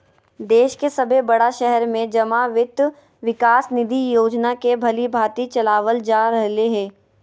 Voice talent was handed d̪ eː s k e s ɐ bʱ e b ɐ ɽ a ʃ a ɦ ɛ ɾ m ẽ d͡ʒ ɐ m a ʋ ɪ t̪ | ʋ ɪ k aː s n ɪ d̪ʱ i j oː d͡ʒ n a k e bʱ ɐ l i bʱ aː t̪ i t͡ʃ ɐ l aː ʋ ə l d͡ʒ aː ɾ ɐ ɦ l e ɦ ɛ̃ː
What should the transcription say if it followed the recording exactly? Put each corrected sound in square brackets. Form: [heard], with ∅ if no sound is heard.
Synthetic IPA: d̪ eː [ʃ] k e s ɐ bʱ e b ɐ ɽ a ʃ [ɛ] ɦ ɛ ɾ m ẽ d͡ʒ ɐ m a ʋ ɪ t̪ | ʋ ɪ k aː s n ɪ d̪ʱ i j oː d͡ʒ n a k e bʱ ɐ l i bʱ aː t̪ i t͡ʃ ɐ l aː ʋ ə l d͡ʒ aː ɾ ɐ ɦ l e ɦ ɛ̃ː